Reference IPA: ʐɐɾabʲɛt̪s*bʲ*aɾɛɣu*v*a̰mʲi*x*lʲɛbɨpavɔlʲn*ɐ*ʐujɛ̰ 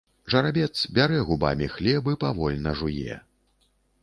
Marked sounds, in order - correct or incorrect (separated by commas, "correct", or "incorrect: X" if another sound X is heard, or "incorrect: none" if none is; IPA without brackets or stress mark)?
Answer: correct, incorrect: b, correct, correct